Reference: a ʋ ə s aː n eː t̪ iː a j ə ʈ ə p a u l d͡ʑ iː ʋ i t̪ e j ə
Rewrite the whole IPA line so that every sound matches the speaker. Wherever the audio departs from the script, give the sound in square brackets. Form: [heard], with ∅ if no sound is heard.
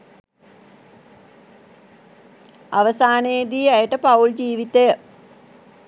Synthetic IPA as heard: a ʋ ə s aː n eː [d̪] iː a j ə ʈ ə p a u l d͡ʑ iː ʋ i t̪ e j ə